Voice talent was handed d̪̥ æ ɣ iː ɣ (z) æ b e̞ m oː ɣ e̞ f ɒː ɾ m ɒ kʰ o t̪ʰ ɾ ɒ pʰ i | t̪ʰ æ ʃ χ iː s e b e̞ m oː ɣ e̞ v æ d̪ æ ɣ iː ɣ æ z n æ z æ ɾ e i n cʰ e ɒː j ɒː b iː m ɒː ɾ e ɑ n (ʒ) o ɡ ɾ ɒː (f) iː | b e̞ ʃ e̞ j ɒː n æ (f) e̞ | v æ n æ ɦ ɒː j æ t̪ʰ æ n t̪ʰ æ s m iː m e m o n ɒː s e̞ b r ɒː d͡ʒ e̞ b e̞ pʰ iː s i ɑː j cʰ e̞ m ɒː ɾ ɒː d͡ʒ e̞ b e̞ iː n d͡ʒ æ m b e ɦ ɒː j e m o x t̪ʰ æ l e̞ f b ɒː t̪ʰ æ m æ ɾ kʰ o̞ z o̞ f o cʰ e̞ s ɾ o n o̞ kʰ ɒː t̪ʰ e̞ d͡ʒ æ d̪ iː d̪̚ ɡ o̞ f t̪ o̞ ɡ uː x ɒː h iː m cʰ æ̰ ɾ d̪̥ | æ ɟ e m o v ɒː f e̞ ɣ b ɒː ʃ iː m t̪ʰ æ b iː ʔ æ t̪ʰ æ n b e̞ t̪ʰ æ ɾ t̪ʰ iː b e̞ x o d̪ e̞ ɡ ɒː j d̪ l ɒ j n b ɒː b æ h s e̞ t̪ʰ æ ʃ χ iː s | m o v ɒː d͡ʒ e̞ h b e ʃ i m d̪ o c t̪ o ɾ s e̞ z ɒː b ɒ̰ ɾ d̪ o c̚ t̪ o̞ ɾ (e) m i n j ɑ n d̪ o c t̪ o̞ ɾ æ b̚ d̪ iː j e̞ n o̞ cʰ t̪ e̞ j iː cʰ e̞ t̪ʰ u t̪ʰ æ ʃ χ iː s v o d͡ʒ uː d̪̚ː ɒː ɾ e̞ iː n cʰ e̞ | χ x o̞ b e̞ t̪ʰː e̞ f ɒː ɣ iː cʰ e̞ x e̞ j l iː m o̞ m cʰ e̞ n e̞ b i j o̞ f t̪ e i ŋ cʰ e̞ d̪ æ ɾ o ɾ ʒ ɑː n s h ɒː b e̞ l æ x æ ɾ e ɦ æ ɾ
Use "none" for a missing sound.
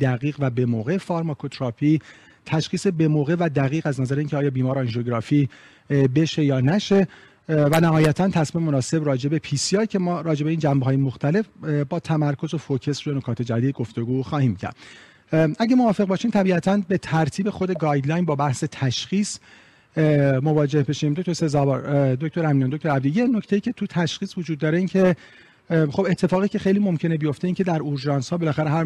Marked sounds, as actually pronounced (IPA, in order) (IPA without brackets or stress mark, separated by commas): v, ʒ, f, ʃ, æ